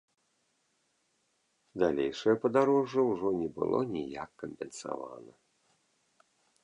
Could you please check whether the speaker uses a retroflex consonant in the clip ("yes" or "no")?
yes